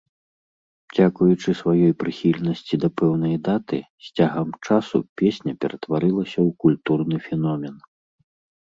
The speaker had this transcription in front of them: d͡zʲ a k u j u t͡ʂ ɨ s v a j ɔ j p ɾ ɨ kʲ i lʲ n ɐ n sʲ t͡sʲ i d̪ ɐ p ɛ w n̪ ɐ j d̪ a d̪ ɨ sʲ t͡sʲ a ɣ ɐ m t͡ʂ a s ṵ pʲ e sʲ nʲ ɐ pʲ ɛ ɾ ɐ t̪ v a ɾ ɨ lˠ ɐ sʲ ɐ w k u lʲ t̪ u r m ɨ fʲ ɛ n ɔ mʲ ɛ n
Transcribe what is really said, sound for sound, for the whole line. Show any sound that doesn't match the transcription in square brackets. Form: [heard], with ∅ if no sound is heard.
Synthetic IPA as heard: d͡zʲ a k u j u t͡ʂ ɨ s v a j ɔ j p ɾ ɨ [xʲ] i lʲ n ɐ [∅] sʲ t͡sʲ i d̪ ɐ p ɛ w n̪ ɐ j d̪ a [t̪] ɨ sʲ t͡sʲ a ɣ ɐ m t͡ʂ a s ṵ pʲ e sʲ nʲ ɐ pʲ ɛ ɾ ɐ t̪ v a ɾ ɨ lˠ ɐ sʲ ɐ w k u lʲ t̪ u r [n] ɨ fʲ ɛ n ɔ mʲ ɛ n